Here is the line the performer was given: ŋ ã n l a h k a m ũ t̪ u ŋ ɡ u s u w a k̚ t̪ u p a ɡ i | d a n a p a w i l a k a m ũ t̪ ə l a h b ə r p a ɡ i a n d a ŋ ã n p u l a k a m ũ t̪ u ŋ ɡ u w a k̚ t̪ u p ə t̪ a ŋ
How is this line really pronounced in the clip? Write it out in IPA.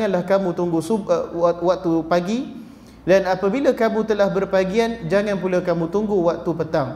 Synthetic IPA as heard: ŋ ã n l a h k a m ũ t̪ u ŋ ɡ u s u w a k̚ t̪ u p a ɡ i | d a n a p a b i l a k a m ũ t̪ ə l a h b ə r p a ɡ i a n d͡ʒ a ŋ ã n p u l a k a m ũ t̪ u ŋ ɡ u w a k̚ t̪ u p ə t̪ a ŋ